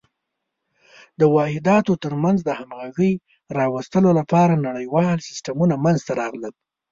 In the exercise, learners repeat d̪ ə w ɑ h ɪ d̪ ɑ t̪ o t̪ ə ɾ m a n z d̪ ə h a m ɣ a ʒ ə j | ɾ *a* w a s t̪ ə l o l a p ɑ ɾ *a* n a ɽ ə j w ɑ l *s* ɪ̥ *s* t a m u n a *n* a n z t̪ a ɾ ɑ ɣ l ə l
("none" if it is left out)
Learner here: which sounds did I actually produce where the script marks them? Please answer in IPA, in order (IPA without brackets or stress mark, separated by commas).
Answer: ɑ, a, s, s, m